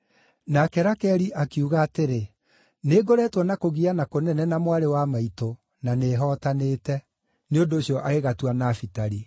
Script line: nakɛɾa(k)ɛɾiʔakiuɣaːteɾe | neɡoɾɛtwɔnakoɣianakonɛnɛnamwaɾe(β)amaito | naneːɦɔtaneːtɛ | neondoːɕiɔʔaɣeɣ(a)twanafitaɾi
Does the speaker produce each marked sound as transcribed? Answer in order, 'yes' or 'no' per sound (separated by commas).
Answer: yes, no, yes